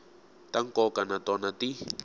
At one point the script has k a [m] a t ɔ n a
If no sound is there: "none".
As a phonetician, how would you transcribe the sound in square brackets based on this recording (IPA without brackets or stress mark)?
n